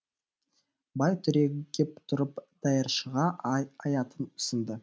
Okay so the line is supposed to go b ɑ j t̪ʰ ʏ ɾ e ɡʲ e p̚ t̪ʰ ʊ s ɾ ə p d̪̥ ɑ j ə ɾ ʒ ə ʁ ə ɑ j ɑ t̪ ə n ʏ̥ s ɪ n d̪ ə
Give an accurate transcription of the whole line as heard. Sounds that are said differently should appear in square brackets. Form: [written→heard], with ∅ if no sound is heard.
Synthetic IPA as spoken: b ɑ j t̪ʰ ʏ ɾ e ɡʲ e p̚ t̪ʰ ʊ [s→∅] ɾ ə p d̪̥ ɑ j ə ɾ [ʒ→ʃ] ə ʁ [ə→ɑ] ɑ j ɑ t̪ ə n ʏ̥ s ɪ n d̪ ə